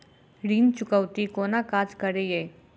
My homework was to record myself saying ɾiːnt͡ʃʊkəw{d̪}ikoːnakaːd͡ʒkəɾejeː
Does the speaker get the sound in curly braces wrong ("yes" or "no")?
yes